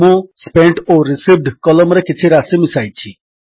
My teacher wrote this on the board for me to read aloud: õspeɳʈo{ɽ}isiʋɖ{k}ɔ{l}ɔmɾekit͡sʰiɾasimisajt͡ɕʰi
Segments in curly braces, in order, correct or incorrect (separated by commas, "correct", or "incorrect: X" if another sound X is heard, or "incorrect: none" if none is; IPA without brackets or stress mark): incorrect: ɾ, correct, correct